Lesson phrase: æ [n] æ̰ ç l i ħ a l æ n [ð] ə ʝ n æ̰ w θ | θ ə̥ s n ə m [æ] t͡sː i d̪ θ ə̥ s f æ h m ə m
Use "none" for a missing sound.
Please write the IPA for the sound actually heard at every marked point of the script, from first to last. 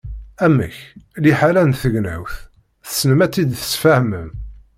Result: m, θ, æ

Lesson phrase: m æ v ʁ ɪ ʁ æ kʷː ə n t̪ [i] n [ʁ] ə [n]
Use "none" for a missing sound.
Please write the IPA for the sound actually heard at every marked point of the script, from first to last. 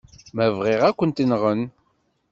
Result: i, ʁ, n

